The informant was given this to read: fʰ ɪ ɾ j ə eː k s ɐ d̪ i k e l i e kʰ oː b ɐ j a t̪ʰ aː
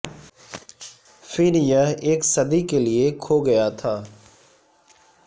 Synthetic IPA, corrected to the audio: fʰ ɪ ɾ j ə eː k s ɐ d̪ i k e l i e kʰ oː ɡ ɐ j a t̪ʰ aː